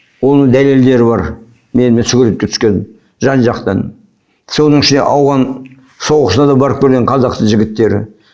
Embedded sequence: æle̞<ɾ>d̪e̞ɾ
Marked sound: incorrect: l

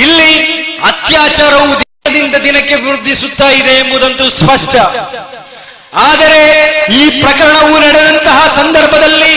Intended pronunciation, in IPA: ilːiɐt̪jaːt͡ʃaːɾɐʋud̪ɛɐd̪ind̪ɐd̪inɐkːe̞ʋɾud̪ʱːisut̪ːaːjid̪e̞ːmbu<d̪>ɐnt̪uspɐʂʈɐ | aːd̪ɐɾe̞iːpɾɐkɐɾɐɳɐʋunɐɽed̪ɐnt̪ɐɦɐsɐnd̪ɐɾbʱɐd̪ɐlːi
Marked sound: correct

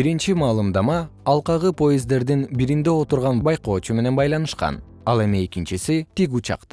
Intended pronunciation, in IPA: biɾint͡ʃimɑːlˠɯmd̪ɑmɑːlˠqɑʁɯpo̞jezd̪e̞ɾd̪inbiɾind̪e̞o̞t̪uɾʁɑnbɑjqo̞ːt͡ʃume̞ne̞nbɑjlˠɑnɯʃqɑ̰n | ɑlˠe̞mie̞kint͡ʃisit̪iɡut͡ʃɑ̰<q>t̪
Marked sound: correct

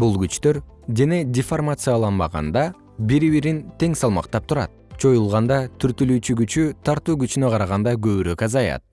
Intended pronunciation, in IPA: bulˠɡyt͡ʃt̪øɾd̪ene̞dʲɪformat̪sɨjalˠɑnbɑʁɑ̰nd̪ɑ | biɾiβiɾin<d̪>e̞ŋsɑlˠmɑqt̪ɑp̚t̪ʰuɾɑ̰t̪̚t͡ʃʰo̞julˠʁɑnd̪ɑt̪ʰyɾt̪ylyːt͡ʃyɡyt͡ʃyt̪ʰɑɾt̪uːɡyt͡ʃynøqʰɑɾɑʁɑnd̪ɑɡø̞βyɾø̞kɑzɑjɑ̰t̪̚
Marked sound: incorrect: t̪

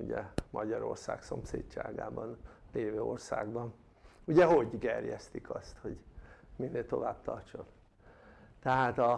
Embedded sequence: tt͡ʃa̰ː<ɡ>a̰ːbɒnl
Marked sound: correct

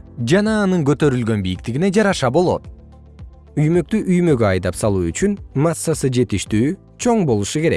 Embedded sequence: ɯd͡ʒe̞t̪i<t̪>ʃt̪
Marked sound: incorrect: none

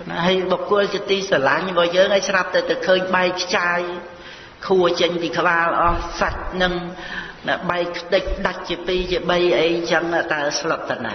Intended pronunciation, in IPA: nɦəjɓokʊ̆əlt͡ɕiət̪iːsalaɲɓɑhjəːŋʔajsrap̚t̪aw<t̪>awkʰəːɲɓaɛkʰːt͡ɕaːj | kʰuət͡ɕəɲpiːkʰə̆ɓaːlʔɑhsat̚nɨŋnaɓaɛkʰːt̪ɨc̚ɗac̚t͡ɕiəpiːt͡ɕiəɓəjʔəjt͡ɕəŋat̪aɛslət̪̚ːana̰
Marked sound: correct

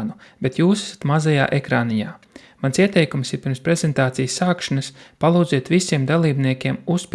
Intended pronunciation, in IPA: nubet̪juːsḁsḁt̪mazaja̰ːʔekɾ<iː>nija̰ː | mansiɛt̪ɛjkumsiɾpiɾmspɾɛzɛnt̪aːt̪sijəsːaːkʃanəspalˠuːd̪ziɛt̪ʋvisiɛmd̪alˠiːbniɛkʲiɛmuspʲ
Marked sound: incorrect: aː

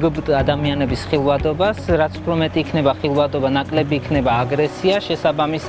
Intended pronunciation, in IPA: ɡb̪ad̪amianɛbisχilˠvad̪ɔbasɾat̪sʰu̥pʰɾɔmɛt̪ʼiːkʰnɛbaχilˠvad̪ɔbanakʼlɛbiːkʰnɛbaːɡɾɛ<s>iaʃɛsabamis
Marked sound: correct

